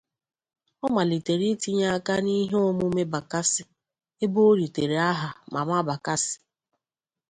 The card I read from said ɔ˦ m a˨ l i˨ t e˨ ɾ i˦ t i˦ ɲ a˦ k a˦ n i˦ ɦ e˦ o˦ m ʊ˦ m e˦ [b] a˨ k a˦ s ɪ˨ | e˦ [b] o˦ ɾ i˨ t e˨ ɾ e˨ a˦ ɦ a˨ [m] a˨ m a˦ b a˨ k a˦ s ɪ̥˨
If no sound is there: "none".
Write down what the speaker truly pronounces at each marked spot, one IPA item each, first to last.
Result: b, b, m

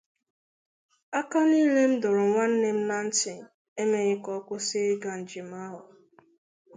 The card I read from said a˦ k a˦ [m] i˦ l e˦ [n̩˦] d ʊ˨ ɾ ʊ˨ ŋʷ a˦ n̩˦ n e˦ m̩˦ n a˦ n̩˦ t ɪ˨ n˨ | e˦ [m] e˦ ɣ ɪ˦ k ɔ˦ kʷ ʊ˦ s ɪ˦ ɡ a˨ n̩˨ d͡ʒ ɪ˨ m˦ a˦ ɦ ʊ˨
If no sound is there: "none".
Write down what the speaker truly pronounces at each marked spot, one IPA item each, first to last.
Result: n, m̩˦, m

